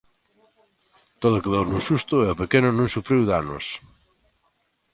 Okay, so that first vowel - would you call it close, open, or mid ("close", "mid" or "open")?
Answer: mid